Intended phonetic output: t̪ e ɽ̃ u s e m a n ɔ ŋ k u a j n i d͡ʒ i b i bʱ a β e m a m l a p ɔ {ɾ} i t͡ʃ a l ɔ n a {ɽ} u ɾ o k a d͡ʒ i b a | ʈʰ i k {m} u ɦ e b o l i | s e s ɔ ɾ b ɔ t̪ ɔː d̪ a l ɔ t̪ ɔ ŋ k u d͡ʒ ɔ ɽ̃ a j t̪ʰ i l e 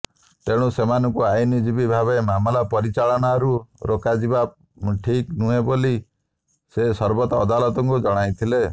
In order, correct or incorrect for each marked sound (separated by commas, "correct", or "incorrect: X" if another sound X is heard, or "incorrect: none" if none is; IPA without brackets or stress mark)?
correct, incorrect: ɾ, incorrect: n